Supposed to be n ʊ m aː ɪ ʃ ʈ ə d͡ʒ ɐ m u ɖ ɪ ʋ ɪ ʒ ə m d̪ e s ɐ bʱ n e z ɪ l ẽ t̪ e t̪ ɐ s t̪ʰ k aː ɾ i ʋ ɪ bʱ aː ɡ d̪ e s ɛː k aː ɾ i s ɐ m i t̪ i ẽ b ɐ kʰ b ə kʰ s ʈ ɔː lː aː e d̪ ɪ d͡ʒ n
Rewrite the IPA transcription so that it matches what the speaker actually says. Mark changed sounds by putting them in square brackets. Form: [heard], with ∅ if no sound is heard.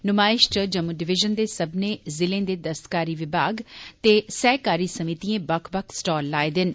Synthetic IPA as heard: n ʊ m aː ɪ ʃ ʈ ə d͡ʒ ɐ m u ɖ ɪ ʋ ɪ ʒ ə [n] d̪ e s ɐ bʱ n e z ɪ l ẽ [d̪] e [d̪] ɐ s [t̪] k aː ɾ i ʋ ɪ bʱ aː ɡ [t̪] e s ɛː k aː ɾ i s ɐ m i t̪ i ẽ b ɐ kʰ b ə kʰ s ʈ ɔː lː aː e d̪ ɪ [∅] n